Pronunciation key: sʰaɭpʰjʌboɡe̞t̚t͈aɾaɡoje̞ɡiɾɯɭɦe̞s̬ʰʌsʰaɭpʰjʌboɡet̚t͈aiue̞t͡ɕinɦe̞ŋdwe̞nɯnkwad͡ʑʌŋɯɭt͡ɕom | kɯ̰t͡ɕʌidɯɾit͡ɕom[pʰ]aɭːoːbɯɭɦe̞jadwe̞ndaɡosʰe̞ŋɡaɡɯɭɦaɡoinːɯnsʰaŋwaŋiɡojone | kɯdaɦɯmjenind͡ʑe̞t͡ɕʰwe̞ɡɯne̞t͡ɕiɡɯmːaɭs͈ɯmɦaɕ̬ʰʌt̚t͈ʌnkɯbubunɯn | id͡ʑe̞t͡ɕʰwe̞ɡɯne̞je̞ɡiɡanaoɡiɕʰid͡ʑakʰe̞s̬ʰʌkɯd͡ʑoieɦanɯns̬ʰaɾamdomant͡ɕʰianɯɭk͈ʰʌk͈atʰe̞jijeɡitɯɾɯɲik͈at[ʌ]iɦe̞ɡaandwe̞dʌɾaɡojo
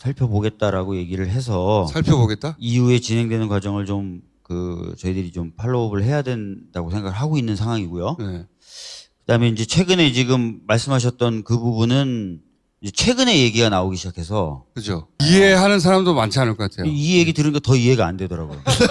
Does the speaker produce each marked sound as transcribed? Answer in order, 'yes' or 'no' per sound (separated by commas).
yes, yes